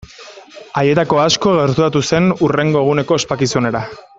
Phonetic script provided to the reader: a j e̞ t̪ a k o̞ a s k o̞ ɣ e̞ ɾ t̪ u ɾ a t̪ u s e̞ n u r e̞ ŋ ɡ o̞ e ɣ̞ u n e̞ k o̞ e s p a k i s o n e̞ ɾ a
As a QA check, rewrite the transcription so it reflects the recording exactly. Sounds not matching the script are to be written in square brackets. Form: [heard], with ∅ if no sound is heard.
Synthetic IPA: a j e̞ t̪ a k o̞ a s k o̞ ɣ e̞ ɾ t̪ u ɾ a t̪ u s e̞ n u r e̞ ŋ ɡ o̞ e ɣ̞ u n e̞ k o̞ e s p a k i s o n e̞ ɾ a